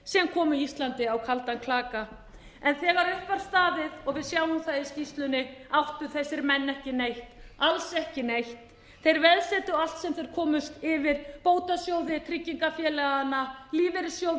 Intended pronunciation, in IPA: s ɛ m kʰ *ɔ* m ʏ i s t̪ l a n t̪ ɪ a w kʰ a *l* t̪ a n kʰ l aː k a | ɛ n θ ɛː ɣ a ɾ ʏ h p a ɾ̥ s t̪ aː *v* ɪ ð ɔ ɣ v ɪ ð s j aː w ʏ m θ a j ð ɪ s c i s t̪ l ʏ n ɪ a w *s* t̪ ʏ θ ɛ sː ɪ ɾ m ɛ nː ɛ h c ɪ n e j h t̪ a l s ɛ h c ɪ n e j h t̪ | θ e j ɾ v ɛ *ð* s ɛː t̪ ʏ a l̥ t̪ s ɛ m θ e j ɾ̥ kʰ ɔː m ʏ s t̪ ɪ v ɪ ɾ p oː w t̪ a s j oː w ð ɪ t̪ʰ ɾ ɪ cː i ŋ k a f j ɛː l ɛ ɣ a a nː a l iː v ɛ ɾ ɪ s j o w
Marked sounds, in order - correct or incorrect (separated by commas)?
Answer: incorrect, correct, incorrect, incorrect, correct